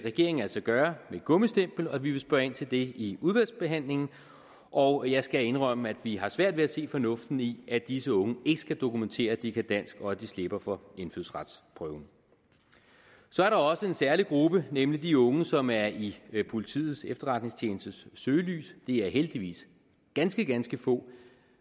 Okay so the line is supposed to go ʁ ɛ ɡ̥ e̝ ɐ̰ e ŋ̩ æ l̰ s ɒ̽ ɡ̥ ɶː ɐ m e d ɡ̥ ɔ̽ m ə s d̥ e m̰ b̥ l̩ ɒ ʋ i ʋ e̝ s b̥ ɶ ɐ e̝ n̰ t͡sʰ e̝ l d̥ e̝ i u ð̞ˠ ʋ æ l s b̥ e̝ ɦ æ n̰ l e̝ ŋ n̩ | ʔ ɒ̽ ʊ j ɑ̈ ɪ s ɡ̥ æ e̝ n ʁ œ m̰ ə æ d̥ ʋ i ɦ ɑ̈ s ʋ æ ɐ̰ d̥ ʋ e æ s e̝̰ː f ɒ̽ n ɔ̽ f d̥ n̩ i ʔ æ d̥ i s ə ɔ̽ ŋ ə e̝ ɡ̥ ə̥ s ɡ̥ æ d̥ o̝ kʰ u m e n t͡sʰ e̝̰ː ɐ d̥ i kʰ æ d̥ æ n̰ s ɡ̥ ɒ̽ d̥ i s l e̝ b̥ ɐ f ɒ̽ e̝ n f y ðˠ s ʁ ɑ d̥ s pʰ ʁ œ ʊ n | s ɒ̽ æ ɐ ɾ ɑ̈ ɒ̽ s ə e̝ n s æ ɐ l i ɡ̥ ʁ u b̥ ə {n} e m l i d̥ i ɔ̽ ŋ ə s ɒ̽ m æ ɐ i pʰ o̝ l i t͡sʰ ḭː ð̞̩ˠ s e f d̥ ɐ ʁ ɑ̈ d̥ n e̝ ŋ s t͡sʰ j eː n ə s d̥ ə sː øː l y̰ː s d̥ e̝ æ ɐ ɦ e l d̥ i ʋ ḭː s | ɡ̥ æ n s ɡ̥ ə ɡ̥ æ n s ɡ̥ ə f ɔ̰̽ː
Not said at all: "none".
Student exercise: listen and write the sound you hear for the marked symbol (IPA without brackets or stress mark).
n